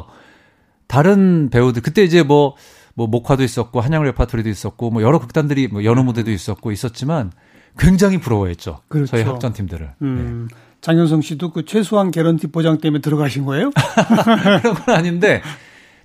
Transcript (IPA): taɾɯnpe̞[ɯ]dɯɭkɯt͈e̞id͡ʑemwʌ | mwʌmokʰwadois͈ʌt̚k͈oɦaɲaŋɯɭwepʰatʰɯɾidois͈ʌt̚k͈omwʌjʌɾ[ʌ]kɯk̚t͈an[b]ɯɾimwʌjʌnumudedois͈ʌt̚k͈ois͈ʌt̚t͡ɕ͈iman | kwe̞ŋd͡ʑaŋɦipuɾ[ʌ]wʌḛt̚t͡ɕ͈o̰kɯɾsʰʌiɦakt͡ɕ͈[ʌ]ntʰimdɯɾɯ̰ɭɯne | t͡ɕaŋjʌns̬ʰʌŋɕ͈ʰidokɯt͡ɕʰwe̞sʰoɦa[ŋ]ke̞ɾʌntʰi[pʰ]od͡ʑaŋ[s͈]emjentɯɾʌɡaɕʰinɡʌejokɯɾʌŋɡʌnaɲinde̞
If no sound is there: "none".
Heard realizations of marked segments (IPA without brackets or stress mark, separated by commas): u, ʌ, d, ʌ, ʌ, n, p, t͈